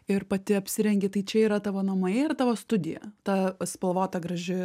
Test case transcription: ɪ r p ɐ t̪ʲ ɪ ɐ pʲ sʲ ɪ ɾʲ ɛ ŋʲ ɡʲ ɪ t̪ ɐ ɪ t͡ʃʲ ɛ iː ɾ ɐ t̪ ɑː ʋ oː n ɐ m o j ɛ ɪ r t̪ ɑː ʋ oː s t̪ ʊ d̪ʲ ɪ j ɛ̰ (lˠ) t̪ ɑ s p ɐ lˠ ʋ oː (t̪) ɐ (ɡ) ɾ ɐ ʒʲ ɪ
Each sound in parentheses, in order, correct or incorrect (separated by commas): incorrect, correct, correct